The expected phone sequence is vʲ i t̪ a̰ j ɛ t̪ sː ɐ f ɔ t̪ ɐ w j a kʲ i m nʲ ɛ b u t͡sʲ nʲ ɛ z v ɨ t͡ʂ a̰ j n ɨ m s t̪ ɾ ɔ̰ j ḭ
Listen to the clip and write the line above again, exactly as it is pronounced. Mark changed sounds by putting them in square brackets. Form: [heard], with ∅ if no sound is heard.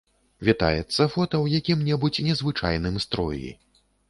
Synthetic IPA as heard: vʲ i t̪ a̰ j ɛ t̪ sː ɐ f ɔ t̪ ɐ w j a kʲ i m nʲ ɛ b u t͡sʲ nʲ ɛ z v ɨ t͡ʂ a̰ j n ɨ m s t̪ ɾ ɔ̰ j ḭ